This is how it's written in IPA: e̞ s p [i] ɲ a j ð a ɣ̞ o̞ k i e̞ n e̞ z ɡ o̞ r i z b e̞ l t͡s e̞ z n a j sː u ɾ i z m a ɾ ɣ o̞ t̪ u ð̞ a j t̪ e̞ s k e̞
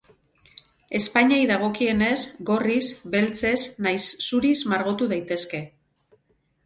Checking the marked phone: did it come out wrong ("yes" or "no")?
yes